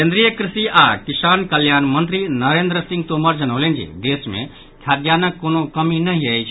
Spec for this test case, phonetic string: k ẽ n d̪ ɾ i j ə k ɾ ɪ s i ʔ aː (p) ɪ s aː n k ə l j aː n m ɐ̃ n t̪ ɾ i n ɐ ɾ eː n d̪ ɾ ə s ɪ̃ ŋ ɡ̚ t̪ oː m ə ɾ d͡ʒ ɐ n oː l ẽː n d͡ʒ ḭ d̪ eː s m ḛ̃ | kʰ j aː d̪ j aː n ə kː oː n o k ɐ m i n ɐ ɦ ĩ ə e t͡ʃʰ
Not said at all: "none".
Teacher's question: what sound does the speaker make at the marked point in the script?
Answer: k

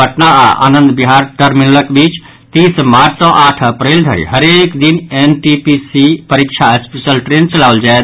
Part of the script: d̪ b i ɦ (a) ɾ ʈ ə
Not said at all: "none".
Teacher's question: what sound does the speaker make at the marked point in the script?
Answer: a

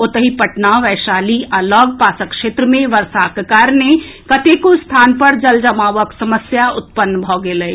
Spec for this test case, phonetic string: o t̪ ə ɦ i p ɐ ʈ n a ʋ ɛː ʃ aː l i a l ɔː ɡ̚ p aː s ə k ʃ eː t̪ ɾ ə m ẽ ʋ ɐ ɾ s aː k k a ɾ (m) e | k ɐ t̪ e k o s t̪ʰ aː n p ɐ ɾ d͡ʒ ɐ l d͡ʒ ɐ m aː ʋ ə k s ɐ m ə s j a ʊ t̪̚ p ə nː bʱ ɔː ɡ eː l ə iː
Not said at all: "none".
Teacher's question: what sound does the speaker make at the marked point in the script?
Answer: n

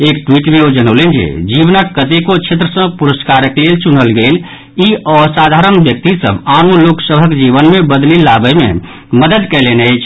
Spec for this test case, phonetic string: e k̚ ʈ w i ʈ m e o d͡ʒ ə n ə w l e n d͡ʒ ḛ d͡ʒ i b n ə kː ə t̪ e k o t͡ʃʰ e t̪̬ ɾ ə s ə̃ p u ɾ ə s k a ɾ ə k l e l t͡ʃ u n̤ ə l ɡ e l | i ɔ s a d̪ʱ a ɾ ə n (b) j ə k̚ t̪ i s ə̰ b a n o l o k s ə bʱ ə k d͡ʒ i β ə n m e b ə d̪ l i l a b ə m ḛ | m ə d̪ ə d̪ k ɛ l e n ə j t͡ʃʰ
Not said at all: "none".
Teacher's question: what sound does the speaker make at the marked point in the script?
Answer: b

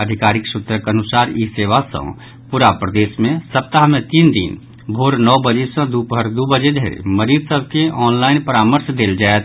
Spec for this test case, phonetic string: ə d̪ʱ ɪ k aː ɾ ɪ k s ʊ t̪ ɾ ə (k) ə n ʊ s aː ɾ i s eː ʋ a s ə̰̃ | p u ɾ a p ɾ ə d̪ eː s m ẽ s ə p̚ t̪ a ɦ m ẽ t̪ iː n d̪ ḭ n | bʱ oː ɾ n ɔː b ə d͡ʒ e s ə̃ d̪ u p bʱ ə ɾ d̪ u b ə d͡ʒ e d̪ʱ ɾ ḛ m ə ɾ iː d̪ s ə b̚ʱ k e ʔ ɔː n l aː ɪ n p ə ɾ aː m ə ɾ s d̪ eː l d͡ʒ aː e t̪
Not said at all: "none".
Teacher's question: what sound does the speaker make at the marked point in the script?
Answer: k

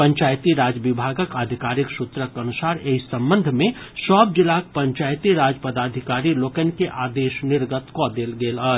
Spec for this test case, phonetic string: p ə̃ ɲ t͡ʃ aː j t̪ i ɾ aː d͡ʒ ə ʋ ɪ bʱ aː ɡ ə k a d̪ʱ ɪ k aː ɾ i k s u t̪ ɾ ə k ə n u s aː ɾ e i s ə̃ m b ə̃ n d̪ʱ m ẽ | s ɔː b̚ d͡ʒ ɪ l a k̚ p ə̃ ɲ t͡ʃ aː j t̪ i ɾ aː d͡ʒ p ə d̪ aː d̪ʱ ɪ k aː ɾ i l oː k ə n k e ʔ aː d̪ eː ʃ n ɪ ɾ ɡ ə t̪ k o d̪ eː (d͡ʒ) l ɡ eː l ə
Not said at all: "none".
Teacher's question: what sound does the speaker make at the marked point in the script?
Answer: none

